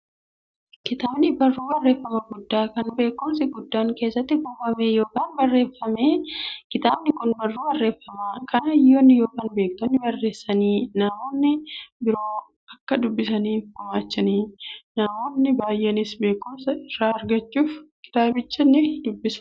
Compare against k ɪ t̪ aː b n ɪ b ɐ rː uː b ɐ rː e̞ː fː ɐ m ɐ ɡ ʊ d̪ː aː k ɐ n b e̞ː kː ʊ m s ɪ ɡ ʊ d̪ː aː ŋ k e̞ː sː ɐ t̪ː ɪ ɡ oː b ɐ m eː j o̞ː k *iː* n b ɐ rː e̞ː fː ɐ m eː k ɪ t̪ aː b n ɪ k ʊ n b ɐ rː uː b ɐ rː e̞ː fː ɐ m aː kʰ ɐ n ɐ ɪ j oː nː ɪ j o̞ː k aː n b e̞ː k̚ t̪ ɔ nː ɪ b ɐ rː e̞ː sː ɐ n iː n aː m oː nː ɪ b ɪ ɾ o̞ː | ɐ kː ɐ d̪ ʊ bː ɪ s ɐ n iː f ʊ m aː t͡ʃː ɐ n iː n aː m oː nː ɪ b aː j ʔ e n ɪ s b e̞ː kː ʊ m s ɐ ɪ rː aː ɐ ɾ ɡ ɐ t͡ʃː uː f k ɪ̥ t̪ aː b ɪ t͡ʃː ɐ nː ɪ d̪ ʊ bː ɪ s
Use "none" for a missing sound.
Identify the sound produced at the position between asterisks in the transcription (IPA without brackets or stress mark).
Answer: aː